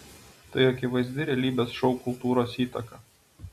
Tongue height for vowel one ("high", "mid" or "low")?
low